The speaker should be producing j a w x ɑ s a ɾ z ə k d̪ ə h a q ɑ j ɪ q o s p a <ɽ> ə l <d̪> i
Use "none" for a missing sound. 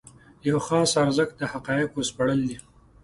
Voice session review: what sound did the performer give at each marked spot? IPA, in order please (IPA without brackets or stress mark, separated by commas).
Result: ɽ, d̪